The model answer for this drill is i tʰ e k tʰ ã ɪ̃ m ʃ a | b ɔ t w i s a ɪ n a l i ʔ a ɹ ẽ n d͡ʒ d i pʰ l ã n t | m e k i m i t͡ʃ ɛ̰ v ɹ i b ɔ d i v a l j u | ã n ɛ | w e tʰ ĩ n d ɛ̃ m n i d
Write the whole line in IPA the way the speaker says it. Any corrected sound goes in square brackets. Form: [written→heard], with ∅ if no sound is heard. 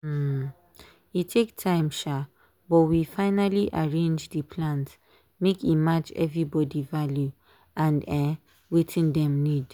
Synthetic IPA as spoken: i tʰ e k tʰ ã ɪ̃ m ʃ a | b ɔ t w i [s→f] a ɪ n a l i ʔ a ɹ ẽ n d͡ʒ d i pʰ l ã n t | m e k i m [i→a] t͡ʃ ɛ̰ v ɹ i b ɔ d i v a l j u | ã n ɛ | w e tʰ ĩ n d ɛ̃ m n i d